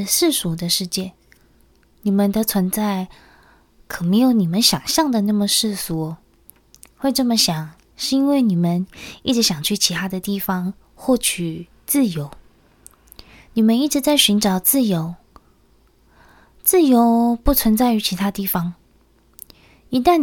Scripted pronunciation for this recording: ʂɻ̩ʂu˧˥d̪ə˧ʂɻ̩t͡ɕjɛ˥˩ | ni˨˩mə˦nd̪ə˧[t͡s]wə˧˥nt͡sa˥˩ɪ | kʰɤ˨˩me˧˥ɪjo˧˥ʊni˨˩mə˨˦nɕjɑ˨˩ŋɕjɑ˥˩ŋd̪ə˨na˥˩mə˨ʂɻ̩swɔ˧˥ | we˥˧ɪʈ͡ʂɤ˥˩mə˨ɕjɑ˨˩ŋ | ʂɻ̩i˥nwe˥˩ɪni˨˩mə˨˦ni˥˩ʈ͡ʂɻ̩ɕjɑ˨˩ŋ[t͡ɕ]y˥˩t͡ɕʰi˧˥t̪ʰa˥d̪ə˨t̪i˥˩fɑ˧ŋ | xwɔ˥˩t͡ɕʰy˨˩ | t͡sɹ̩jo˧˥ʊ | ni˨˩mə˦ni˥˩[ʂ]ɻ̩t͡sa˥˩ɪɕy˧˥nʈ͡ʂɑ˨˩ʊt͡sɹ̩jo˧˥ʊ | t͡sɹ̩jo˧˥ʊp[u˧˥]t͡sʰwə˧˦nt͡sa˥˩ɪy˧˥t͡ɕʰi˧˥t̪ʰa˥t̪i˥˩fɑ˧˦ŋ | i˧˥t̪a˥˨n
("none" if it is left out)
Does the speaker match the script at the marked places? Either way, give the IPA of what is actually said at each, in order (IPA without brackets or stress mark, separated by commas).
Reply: t͡sʰ, t͡ɕʰ, ʈ͡ʂ, u˥˩